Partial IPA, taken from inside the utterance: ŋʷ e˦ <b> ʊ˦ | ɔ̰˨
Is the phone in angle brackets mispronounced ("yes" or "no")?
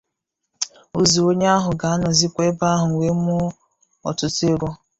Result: yes